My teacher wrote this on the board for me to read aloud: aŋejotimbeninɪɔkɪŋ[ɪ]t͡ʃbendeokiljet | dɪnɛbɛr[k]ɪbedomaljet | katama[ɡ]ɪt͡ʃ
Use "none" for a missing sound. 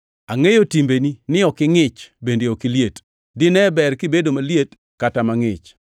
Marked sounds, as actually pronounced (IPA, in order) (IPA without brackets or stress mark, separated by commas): ɪ, k, ŋ